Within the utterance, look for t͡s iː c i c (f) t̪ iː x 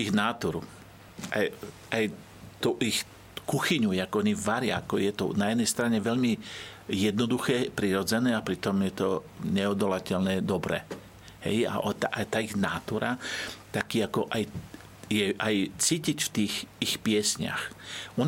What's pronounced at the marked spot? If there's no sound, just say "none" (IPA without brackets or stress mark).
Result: f